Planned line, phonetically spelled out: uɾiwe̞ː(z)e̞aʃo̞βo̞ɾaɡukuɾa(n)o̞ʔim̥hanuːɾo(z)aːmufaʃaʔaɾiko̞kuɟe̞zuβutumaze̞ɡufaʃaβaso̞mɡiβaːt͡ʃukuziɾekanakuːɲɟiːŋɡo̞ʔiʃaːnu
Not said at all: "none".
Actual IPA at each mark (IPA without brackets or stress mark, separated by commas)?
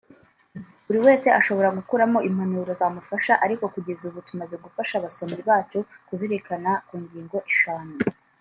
s, m, z